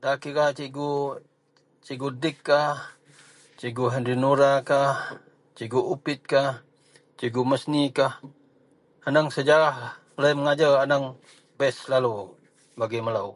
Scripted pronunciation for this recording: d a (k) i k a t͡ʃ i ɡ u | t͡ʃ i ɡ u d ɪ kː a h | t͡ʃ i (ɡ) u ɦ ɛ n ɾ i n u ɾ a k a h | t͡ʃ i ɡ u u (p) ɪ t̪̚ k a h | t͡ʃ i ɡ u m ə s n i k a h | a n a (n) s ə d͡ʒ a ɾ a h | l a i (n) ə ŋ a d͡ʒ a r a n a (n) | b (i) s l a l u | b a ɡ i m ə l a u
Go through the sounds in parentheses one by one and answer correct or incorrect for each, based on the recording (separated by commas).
correct, correct, correct, incorrect, incorrect, incorrect, incorrect